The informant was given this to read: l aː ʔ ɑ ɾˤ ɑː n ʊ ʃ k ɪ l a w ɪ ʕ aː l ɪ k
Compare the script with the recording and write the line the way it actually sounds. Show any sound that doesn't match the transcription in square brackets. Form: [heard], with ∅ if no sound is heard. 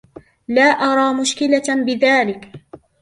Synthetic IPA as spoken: l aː ʔ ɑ ɾˤ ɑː [m] ʊ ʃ k ɪ l a [b] ɪ [ð] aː l ɪ k